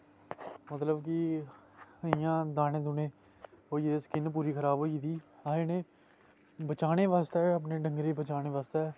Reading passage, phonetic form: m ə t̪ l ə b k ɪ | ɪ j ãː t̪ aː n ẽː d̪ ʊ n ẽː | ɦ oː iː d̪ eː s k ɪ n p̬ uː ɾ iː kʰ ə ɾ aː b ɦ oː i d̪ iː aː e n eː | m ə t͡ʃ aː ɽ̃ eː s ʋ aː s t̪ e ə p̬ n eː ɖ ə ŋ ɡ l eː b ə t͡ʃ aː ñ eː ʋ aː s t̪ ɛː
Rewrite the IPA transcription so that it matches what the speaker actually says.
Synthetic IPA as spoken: m ə t̪ l ə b k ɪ | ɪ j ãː d̪ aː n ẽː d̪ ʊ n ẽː | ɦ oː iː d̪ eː s k ɪ n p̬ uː ɾ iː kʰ ə ɾ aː b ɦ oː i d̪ iː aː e n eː | b ə t͡ʃ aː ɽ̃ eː ʋ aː s t̪ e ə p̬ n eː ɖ ə ŋ ɡ ɾ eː b ə t͡ʃ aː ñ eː ʋ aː s t̪ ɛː